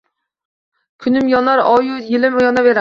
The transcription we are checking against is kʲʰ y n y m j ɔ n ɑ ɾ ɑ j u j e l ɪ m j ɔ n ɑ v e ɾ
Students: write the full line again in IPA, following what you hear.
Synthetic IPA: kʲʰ y n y m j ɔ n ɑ ɾ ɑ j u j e l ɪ m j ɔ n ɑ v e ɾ